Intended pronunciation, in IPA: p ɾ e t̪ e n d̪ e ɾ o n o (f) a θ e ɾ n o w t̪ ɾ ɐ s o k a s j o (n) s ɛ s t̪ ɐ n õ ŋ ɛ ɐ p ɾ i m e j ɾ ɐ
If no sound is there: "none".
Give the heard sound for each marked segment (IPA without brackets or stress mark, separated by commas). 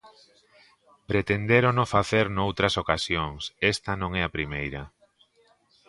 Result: f, ŋ